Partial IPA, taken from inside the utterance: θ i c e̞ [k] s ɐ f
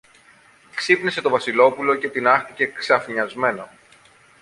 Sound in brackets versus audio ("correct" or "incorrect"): correct